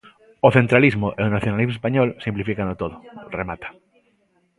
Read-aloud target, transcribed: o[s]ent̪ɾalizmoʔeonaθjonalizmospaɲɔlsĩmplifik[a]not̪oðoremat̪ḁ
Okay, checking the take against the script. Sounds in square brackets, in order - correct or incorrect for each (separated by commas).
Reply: incorrect, correct